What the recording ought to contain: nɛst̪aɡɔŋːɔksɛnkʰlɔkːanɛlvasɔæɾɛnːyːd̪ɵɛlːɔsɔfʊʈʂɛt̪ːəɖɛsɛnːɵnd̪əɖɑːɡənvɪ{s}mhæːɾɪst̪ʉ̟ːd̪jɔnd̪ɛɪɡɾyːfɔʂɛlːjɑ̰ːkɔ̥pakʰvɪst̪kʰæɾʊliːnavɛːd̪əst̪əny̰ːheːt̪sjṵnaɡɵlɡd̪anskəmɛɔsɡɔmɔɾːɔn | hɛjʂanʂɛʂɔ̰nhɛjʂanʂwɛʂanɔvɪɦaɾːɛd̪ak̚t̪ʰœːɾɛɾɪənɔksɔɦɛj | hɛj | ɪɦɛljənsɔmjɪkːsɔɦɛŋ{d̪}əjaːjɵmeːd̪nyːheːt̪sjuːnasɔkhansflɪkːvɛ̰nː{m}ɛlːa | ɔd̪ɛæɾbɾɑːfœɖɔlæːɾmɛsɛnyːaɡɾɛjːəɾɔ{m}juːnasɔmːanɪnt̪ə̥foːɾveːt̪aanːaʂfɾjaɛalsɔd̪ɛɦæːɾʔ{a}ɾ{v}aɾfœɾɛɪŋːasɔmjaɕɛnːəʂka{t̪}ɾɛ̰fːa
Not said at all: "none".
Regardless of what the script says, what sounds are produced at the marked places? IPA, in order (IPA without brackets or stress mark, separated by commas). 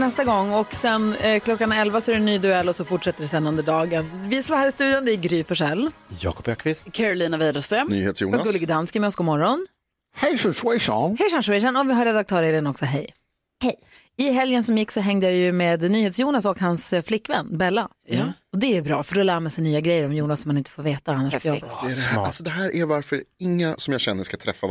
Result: s, d̪, b, m, æ, v, t̪ʰ